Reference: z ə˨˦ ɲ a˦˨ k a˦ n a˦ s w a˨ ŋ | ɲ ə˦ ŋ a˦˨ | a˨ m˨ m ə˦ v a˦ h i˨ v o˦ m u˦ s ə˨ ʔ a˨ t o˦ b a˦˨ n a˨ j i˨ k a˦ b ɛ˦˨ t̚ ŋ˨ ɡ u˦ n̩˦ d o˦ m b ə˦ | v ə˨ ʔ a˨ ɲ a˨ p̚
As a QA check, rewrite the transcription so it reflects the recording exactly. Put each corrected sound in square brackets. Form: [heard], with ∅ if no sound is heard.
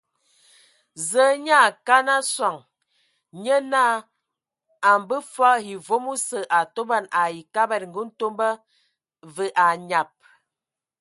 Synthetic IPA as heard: z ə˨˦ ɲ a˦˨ k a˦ n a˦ s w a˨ ŋ | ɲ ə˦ [n] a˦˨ | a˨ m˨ [b] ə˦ [f] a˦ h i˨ v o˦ m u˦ s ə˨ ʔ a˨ t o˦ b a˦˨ n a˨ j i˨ k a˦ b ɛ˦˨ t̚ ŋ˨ ɡ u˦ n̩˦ [t] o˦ m b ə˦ | v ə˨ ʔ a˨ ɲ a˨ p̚